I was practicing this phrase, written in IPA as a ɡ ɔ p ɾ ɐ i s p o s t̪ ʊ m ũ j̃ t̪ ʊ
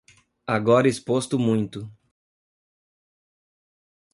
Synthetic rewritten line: a ɡ ɔ ɾ ɐ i s p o s t̪ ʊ m ũ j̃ t̪ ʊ